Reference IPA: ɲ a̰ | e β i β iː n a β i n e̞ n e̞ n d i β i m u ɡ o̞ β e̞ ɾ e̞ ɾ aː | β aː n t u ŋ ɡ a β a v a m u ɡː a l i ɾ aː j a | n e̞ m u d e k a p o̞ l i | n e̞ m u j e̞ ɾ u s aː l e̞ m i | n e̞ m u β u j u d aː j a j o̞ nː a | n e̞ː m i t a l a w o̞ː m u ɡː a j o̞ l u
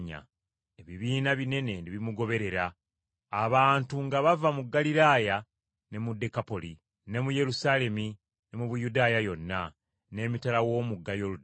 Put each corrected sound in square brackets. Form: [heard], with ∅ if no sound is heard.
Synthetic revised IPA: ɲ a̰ | e β i β iː n a β i n e̞ n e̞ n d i β i m u ɡ o̞ β e̞ ɾ e̞ ɾ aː | β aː n t u ŋ ɡ a β a v a m u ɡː a l i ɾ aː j a | n e̞ m u d e k a p o̞ l i | n e̞ m u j e̞ ɾ u s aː l e̞ m i | n e̞ m u β u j u d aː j a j o̞ nː a | n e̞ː m i t a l a w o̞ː m u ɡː a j o̞ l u